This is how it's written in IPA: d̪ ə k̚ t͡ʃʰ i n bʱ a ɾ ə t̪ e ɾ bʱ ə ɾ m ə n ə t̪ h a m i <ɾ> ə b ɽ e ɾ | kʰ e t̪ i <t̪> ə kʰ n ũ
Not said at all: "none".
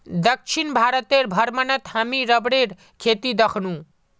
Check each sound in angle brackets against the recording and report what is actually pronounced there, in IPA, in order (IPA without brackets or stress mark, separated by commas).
ɾ, d̪